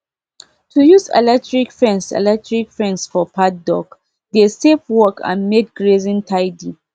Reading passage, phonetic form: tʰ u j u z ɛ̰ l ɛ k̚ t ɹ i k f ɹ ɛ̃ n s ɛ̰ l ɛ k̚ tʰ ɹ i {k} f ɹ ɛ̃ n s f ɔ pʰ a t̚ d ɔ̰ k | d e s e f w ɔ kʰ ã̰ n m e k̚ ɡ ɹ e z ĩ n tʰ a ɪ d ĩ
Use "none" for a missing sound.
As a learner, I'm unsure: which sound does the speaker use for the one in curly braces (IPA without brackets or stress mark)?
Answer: k